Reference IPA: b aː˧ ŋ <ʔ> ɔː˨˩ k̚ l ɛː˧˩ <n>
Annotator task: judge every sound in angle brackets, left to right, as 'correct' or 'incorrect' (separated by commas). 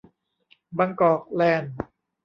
incorrect, correct